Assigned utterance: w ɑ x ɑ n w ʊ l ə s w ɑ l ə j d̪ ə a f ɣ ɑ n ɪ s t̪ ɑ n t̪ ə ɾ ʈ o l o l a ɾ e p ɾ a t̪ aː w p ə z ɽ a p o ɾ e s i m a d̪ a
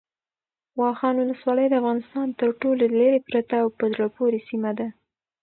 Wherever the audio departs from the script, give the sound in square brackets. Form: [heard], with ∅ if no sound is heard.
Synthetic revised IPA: w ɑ x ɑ n w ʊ l ə s w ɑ l ə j d̪ ə a f ɣ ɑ n ɪ s t̪ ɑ n t̪ ə ɾ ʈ o l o l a ɾ e p ɾ a t̪ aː w p ə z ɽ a p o ɾ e s i m a d̪ a